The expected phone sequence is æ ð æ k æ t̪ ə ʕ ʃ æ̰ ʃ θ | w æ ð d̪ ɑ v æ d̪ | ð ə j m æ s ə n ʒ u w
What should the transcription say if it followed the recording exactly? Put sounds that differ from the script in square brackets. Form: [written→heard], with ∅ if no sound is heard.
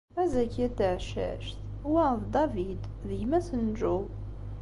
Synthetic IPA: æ [ð→z] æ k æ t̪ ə ʕ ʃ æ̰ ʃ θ | w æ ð d̪ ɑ v [æ→i] d̪ | ð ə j m æ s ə n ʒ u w

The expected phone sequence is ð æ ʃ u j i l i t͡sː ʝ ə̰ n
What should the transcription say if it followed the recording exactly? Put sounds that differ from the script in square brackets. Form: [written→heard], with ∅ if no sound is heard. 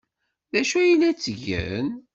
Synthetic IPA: ð æ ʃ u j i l [i→æ] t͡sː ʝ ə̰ n

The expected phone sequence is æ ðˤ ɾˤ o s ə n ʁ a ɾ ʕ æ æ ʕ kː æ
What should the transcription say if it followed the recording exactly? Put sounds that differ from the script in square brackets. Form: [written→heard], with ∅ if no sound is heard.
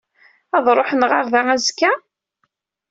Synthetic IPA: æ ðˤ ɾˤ o [s→ħ] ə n ʁ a ɾ [ʕ→ð] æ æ [ʕ→z] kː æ

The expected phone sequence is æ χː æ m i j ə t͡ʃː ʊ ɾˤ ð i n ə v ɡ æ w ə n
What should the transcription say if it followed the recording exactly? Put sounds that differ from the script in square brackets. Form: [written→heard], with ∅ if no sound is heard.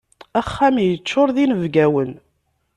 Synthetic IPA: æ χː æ m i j ə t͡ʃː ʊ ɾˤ ð i n ə v ɡ æ w ə n

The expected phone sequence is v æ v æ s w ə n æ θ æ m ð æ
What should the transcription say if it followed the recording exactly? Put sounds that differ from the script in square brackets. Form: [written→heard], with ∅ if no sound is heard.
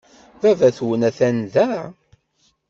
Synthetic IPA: v æ v æ [s→θ] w ə n æ θ æ [m→n] ð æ

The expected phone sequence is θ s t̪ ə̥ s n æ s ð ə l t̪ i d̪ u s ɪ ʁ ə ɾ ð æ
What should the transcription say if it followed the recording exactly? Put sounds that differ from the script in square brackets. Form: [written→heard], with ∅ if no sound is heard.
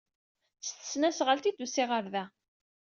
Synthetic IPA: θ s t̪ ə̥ s n æ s [ð→ʁ] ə l t̪ i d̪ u s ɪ ʁ ə ɾ ð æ

